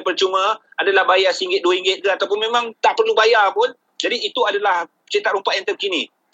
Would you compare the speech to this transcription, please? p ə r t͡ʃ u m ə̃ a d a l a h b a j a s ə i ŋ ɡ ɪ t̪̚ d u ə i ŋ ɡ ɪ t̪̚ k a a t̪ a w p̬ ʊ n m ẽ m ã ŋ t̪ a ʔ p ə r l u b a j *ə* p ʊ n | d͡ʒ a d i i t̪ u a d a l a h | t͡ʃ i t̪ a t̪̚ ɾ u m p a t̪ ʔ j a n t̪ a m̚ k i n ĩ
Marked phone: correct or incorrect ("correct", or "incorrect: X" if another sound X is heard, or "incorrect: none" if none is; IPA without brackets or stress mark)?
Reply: incorrect: a